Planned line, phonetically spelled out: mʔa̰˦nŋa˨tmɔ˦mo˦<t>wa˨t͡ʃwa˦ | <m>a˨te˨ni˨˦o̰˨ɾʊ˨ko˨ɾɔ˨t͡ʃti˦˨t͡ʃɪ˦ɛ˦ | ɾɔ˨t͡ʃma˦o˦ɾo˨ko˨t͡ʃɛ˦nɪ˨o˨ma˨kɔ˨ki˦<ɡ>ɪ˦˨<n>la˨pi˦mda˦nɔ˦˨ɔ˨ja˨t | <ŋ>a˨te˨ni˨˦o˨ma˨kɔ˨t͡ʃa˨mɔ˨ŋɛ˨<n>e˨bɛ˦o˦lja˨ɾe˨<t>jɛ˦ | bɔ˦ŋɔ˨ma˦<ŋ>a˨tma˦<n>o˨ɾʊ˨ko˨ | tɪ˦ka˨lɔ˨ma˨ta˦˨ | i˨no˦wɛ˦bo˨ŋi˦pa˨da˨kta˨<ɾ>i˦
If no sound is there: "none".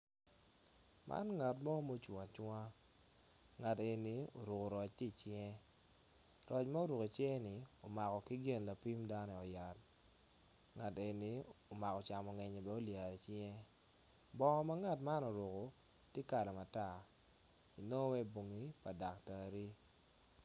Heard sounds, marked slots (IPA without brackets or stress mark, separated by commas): t͡ʃ, ŋ, ɡ, n, ŋ, ɲ, t͡ʃ, ŋ, n, ɾ